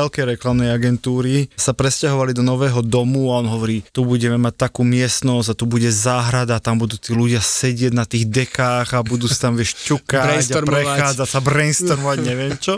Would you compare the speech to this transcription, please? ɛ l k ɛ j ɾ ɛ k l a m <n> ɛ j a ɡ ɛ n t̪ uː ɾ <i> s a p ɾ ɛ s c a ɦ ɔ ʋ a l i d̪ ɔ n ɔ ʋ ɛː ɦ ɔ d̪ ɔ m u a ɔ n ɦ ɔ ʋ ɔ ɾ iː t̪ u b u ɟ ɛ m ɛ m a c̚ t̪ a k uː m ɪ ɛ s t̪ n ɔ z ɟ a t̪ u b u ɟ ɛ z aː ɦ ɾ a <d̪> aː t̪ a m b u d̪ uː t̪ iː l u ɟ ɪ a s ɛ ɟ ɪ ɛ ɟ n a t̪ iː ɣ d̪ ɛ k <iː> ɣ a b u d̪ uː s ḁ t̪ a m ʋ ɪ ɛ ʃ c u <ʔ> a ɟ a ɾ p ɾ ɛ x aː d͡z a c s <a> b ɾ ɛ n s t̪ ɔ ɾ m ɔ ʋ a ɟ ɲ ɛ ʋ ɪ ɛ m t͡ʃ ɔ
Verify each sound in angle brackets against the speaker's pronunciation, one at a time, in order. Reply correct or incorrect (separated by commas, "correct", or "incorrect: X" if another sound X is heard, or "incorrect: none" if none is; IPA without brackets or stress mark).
correct, correct, correct, incorrect: aː, incorrect: k, correct